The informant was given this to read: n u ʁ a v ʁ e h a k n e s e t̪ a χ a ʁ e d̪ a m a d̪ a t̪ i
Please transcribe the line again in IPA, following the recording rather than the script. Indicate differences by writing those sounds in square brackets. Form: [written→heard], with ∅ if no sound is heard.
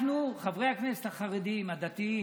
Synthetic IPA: n u [ʁ→χ] a v ʁ e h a k n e s e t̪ a χ a ʁ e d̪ [a→i] m a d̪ a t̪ i

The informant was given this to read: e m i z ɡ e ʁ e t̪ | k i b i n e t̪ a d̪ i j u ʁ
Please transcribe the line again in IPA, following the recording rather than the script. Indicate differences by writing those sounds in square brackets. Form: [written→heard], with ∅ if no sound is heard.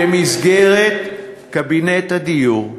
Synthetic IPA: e m i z ɡ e ʁ e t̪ | k [i→a] b i n e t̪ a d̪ i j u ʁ

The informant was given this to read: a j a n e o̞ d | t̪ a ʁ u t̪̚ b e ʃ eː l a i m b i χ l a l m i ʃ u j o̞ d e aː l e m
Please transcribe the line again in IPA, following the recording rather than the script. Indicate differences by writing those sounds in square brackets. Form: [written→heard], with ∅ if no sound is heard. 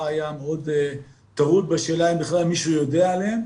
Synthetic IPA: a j a [n→m] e o̞ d | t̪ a ʁ u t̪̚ b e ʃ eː l a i m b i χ l a l m i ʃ u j o̞ d e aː l e m

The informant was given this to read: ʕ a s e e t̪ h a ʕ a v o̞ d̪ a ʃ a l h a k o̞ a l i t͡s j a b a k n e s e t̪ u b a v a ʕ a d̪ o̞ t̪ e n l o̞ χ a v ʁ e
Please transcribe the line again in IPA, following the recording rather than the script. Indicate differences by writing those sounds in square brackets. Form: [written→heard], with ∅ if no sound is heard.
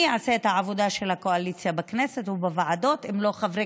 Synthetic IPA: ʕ a s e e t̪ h a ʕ a v o̞ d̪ a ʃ [a→e] l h a k o̞ a l i t͡s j a b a k n e s e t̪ u b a v a ʕ a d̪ o̞ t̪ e [n→m] l o̞ χ a v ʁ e

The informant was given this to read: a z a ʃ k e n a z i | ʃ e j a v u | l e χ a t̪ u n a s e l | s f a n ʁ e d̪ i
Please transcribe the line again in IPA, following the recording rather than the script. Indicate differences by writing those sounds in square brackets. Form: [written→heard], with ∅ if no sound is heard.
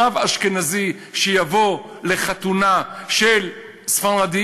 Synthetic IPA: a [z→v] a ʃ k e n a z i | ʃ e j a v [u→o] | l e χ a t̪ u n a [s→ʃ] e l | s f a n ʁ [e→a] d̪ i

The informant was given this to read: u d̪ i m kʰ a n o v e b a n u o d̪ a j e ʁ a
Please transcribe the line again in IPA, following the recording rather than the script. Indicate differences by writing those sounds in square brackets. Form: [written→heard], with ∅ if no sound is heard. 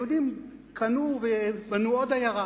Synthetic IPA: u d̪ i m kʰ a n [o→u] v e b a n u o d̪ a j [e→a] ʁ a

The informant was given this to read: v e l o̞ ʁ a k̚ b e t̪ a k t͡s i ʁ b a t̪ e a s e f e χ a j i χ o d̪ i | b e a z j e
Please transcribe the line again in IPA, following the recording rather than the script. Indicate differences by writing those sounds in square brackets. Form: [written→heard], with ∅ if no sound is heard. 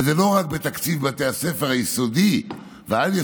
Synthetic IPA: [v→z] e l o̞ ʁ a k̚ b e t̪ a k t͡s i [ʁ→v] b a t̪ e a s e f e [χ→ʁ] a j i [χ→s] o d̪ i | [b→v] e a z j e

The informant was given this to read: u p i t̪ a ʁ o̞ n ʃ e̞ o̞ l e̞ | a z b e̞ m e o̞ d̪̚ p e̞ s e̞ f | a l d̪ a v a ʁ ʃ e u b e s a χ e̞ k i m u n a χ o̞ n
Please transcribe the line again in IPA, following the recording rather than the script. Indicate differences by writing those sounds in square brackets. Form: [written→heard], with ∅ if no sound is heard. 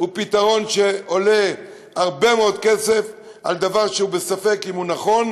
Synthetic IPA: u p i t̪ a ʁ o̞ n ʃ e̞ o̞ l e̞ | a [z→ʁ] b e̞ m e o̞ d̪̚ [p→k] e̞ s e̞ f | a l d̪ a v a ʁ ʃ e u b e s a [χ→f] e̞ k i m u n a χ o̞ n

